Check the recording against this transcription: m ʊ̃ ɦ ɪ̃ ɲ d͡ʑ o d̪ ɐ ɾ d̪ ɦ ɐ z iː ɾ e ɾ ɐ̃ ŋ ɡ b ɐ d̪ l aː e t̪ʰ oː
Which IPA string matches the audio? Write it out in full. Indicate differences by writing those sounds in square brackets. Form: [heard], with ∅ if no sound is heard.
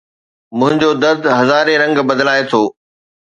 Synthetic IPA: m ʊ̃ ɦ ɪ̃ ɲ d͡ʑ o d̪ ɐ ɾ d̪ ɦ ɐ z [aː] ɾ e ɾ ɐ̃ ŋ ɡ b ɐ d̪ l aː e t̪ʰ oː